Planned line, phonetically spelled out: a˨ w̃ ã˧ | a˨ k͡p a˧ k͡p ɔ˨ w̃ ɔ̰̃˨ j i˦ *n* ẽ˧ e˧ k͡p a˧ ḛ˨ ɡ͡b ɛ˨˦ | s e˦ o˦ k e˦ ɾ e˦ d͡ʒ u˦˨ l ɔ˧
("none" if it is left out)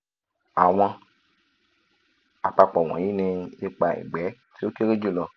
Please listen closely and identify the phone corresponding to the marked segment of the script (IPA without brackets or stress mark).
n